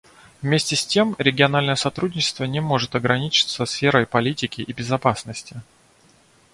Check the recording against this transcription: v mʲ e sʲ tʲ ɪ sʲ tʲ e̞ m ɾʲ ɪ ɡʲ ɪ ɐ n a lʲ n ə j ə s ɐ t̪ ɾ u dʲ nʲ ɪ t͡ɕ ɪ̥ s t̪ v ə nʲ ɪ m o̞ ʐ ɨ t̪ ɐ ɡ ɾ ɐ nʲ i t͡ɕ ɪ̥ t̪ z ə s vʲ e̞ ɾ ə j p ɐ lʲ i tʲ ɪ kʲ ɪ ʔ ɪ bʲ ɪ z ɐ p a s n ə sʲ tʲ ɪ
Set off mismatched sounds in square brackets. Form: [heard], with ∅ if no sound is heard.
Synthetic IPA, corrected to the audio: v mʲ e sʲ tʲ ɪ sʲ tʲ e̞ m ɾʲ ɪ ɡʲ ɪ ɐ n a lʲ n ə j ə s ɐ t̪ ɾ u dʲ nʲ ɪ t͡ɕ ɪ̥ s t̪ v ə nʲ ɪ m o̞ ʐ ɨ t̪ ɐ ɡ ɾ ɐ nʲ i t͡ɕ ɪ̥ t̪ [s] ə s [fʲ] e̞ ɾ ə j p ɐ lʲ i tʲ ɪ kʲ ɪ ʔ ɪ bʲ ɪ z ɐ p a s n ə sʲ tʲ ɪ